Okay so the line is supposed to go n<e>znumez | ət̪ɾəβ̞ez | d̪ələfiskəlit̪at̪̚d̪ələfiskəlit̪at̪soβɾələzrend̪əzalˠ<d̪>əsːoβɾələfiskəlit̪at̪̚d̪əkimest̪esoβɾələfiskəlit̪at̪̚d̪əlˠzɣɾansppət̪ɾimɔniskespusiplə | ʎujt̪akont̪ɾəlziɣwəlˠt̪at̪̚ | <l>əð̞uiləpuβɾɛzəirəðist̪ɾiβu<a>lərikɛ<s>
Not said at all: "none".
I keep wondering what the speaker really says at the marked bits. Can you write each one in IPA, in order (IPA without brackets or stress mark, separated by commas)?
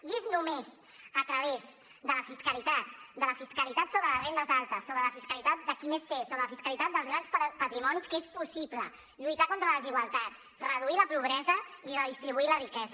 e, t̪, r, i, z